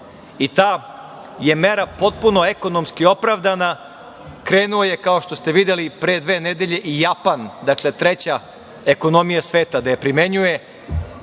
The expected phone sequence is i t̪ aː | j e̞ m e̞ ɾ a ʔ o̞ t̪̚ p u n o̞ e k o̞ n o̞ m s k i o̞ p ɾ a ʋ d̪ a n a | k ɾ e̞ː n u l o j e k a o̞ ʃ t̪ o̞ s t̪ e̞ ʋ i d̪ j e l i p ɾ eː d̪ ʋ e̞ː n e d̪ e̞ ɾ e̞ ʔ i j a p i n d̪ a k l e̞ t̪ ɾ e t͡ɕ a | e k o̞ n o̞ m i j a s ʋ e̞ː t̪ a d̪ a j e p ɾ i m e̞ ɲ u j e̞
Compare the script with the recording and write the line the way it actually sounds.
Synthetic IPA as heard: i t̪ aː | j e̞ m e̞ ɾ a p o̞ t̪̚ p u n o̞ e k o̞ n o̞ m s k i o̞ p ɾ a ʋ d̪ a n a | k ɾ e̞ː n u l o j e k a o̞ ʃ t̪ o̞ s t̪ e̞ ʋ i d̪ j e l i p ɾ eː d̪ ʋ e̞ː n e d̪ e̞ ʎ e̞ ʔ i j a p a n d̪ a k l e̞ t̪ ɾ e t͡ɕ a | e k o̞ n o̞ m i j a s ʋ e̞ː t̪ a d̪ a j e p ɾ i m e̞ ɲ u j e̞

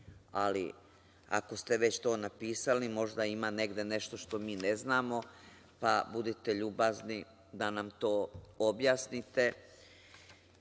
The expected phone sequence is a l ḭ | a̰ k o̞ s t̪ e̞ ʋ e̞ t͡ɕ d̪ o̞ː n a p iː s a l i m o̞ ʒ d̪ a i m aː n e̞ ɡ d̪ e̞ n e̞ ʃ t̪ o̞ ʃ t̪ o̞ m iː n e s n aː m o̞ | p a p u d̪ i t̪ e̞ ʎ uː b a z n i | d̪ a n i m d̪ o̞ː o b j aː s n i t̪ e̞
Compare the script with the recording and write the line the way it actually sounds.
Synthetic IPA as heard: a l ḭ | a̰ k o̞ s t̪ e̞ ʋ e̞ t͡ɕ t̪ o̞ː n a p iː s a l i m o̞ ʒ d̪ a i m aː n e̞ ɡ d̪ e̞ n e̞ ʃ t̪ o̞ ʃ t̪ o̞ m iː n e z n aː m o̞ | p a b u d̪ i t̪ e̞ ʎ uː b a z n i | d̪ a n a m t̪ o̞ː o b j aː s n i t̪ e̞

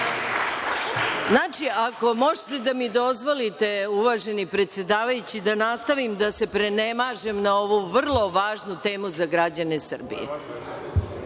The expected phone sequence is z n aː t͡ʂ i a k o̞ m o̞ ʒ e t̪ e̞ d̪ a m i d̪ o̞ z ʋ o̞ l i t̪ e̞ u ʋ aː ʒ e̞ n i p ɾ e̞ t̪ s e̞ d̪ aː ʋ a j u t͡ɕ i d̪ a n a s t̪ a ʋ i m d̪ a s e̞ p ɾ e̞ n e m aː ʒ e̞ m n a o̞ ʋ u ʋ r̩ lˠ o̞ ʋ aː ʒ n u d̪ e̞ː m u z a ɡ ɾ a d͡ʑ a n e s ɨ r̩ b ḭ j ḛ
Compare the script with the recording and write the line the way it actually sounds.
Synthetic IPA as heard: z n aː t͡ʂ i a k o̞ m o̞ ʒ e t̪ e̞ d̪ a m i d̪ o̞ z ʋ o̞ l i t̪ e̞ u ʋ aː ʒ e̞ n i p ɾ e̞ t̪ s e̞ d̪ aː ʋ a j u t͡ɕ i d̪ a n a s t̪ a ʋ i m d̪ a s e̞ p ɾ e̞ n e m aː ʒ e̞ m n a o̞ ʋ u ʋ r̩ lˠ o̞ ʋ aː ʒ n u t̪ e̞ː m u z a ɡ ɾ a d͡ʑ a n e s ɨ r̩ b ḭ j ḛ

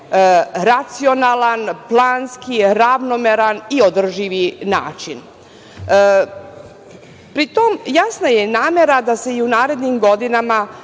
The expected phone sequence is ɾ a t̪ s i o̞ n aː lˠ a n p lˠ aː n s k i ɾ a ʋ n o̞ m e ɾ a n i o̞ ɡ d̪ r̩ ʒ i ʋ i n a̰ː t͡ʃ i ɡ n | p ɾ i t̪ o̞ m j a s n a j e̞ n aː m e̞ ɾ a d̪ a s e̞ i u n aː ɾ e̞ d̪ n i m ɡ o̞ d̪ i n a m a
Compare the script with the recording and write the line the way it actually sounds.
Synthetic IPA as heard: ɾ a t̪ s i o̞ n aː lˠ a n p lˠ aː n s k i ɾ a ʋ n o̞ m e ɾ a n i o̞ d̪ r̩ ʒ i ʋ i n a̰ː t͡ʃ i n | p ɾ i t̪ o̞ m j a s n a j e̞ n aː m e̞ ɾ a d̪ a s e̞ i u n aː ɾ e̞ d̪ n i m ɡ o̞ d̪ i n a m a

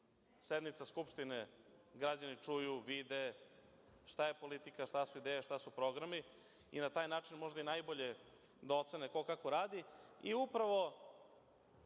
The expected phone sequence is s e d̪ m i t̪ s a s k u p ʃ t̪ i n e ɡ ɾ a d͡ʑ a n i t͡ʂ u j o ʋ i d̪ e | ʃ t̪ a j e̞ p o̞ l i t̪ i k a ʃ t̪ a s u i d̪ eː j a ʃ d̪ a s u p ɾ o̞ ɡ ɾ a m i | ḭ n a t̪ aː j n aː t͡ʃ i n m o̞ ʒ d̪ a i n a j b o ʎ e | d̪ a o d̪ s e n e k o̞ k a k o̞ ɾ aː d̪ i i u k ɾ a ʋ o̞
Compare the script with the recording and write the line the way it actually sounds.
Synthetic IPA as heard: s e d̪ m i t̪ s a s k u p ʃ t̪ i n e ɡ ɾ a d͡ʑ a n i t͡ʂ u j u ʋ i d̪ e | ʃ t̪ a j e̞ p o̞ l i t̪ i k a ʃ t̪ a s u i d̪ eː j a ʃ t̪ a s u p ɾ o̞ ɡ ɾ a m i | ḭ n a t̪ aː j n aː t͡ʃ i n m o̞ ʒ d̪ a i n a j b o ʎ e | d̪ a o t̪ s e n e k o̞ k a k o̞ ɾ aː d̪ i i u p ɾ a ʋ o̞

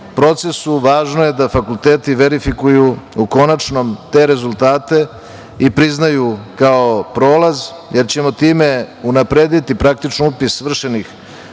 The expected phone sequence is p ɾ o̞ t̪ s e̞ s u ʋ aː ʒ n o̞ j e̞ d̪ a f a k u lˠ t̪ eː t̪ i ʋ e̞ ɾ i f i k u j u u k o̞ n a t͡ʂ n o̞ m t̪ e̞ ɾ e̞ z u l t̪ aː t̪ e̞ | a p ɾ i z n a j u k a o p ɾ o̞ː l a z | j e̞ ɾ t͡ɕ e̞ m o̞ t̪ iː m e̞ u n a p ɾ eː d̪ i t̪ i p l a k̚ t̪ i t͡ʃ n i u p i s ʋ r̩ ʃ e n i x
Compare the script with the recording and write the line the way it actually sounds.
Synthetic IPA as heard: p ɾ o̞ t̪ s e̞ s u ʋ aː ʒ n o̞ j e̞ d̪ a f a k u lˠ t̪ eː t̪ i ʋ e̞ ɾ i f i k u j u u k o̞ n a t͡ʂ n o̞ m t̪ e̞ ɾ e̞ z u l t̪ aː t̪ e̞ | i p ɾ i z n a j u k a o p ɾ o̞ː l a z | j e̞ ɾ t͡ɕ e̞ m o̞ t̪ iː m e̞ u n a p ɾ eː d̪ i t̪ i p ɾ a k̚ t̪ i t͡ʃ n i u p i s ʋ r̩ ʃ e n i x

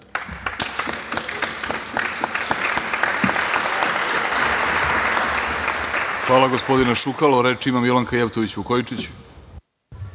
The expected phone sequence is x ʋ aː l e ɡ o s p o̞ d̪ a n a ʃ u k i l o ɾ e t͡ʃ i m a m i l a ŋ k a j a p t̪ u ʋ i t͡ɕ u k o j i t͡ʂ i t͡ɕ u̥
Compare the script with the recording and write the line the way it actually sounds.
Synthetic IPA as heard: x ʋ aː l a ɡ o s p o̞ d̪ i n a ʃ u k a l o ɾ e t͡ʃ i m a m i l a ŋ k a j e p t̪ o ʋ i t͡ɕ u k o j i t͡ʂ i t͡ɕ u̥

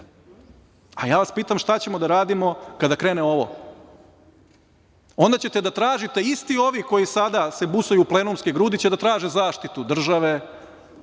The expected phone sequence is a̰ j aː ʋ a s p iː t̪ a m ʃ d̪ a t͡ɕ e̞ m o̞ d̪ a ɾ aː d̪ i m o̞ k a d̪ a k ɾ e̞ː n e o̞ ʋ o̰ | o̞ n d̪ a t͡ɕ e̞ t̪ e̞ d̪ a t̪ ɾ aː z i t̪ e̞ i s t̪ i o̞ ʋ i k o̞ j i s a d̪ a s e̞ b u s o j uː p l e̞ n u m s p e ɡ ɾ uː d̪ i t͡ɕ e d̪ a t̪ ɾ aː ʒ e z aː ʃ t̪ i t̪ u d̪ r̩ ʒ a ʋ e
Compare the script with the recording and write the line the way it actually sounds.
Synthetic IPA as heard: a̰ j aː ʋ a s p iː t̪ a m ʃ t̪ a t͡ɕ e̞ m o̞ d̪ a ɾ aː d̪ i m o̞ k a d̪ a k ɾ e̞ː n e o̞ ʋ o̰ | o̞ n d̪ a t͡ɕ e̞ t̪ e̞ d̪ a t̪ ɾ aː ʒ i t̪ e̞ i s t̪ i o̞ ʋ i k o̞ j i s a d̪ a s e̞ b u s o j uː p l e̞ n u m s k e ɡ ɾ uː d̪ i t͡ɕ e d̪ a t̪ ɾ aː ʒ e z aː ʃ t̪ i t̪ u d̪ r̩ ʒ a ʋ e

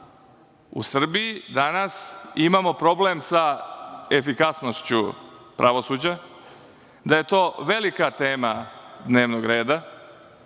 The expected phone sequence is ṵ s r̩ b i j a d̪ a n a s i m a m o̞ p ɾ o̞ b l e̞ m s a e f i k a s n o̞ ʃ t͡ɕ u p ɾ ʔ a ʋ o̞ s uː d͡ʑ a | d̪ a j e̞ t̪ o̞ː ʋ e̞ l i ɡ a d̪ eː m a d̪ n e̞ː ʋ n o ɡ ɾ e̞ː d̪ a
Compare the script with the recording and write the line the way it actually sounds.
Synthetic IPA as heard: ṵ s r̩ b i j i d̪ a n a s i m a m o̞ p ɾ o̞ b l e̞ m s a e f i k a s n o̞ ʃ t͡ɕ u p ɾ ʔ a ʋ o̞ s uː d͡ʑ a | d̪ a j e̞ t̪ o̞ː ʋ e̞ l i k a t̪ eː m a d̪ n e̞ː ʋ n o ɡ ɾ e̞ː d̪ a

